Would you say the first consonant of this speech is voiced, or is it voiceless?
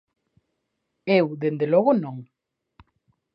voiced